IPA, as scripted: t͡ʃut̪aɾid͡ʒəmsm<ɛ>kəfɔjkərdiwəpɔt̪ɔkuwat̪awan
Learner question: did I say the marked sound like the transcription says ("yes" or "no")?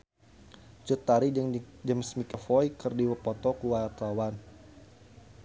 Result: no